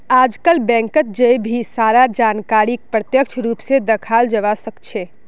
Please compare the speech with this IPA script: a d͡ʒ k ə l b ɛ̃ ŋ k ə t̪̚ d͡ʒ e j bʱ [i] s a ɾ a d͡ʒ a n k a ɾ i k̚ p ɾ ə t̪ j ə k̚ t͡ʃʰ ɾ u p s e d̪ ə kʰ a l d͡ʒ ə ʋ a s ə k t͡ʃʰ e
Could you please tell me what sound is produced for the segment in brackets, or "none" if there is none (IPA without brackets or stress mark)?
i